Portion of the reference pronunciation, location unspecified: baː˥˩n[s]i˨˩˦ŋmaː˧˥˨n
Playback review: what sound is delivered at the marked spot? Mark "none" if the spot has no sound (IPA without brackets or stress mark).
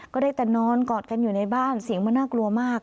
s